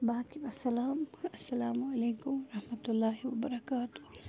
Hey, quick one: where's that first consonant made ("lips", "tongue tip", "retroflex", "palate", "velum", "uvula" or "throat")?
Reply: lips